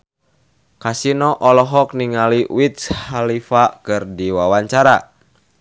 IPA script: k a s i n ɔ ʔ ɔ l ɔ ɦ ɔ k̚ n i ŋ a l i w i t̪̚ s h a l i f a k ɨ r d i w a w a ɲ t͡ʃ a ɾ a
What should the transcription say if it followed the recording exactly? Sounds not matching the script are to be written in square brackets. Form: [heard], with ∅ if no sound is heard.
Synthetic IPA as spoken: k a s i n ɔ ʔ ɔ l ɔ ɦ ɔ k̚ n i ŋ a l i w i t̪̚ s h a l i f a k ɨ r d i w a w a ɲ t͡ʃ a ɾ a